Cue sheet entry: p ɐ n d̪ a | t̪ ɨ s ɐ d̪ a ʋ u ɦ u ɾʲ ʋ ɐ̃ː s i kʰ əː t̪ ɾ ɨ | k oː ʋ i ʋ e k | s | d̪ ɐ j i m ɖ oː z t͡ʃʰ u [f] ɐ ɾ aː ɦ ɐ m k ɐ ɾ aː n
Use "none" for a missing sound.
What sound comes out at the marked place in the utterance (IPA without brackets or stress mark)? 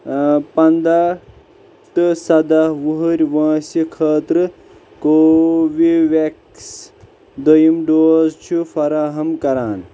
f